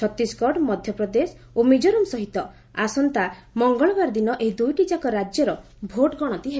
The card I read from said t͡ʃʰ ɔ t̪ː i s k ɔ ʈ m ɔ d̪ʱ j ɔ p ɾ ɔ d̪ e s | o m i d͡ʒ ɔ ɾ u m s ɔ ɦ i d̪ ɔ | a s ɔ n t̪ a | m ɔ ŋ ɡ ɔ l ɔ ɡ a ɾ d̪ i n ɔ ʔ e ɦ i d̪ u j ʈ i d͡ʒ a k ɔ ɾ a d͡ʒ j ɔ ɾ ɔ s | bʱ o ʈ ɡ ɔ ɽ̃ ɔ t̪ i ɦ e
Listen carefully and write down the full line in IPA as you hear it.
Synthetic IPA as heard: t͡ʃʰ ɔ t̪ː i s k ɔ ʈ m ɔ d̪ʱ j ɔ p ɾ ɔ d̪ e s | o m i d͡ʒ ɔ ɾ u m s ɔ ɦ i t̪ ɔ | a s ɔ n t̪ a | m ɔ ŋ ɡ ɔ ɭ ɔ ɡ a ɾ d̪ i n ɔ ʔ e ɦ i d̪ u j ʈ i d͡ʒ a k ɔ ɾ a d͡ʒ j ɔ ɾ ɔ | bʱ o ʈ ɡ ɔ ɽ̃ ɔ t̪ i ɦ e

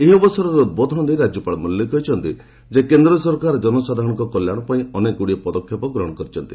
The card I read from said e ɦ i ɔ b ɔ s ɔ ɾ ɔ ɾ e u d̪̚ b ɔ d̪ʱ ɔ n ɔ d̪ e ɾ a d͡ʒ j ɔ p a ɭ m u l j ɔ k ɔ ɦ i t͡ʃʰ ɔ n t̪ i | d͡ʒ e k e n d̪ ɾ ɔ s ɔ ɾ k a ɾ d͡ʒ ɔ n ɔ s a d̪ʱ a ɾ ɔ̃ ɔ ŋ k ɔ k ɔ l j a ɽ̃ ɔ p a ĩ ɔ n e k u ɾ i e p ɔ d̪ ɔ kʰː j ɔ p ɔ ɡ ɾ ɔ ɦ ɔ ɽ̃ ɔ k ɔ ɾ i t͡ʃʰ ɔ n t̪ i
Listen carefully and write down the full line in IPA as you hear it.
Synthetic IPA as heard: e ɦ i ɔ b ɔ s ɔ ɾ ɔ ɾ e u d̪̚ b ɔ d̪ʱ ɔ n ɔ d̪ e ɾ a d͡ʒ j ɔ p a ɭ m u l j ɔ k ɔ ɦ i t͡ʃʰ ɔ n t̪ i | d͡ʒ e k e n d̪ ɾ ɔ s ɔ ɾ k a ɾ d͡ʒ ɔ n ɔ s a d̪ʱ a ɾ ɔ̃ ɔ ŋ k ɔ k ɔ l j a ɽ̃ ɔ p a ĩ ɔ n e k u ɽ i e p ɔ d̪ ɔ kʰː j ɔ p ɔ ɡ ɾ ɔ ɦ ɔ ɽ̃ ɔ k ɔ ɾ i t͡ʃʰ ɔ n t̪ i

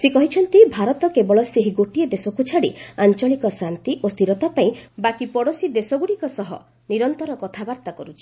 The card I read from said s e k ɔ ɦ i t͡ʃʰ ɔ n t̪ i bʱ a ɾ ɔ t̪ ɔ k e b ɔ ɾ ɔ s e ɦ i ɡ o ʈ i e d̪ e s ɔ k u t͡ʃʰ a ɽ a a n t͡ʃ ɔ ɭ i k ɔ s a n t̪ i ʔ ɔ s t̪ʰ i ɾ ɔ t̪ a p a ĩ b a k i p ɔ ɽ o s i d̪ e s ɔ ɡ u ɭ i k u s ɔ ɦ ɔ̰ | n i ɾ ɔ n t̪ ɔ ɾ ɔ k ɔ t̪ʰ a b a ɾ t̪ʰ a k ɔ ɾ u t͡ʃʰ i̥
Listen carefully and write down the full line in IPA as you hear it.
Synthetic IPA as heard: s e k ɔ ɦ i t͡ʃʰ ɔ n t̪ i bʱ a ɾ ɔ t̪ ɔ k e b ɔ ɭ ɔ s e ɦ i ɡ o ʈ i e d̪ e s ɔ k u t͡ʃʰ a ɽ i a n t͡ʃ ɔ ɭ i k ɔ s a n t̪ i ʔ o s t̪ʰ i ɾ ɔ t̪ a p a ĩ b a k i p ɔ ɽ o s i d̪ e s ɔ ɡ u ɽ i k ɔ s ɔ ɦ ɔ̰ | n i ɾ ɔ n t̪ ɔ ɾ ɔ k ɔ t̪ʰ a b a ɾ t̪ a k ɔ ɾ u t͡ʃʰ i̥

